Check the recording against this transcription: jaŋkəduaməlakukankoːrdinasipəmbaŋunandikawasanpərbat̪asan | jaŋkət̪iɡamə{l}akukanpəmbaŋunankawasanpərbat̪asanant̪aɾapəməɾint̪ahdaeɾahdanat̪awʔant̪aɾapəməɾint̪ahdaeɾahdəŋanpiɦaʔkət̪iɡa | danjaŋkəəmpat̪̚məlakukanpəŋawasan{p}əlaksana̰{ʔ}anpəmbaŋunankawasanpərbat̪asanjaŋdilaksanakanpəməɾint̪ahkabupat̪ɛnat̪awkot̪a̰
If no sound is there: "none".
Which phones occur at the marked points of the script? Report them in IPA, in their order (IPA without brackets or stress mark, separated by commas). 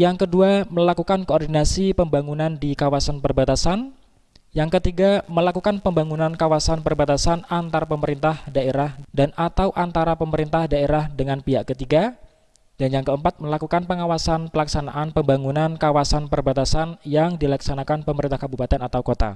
l, p, ʔ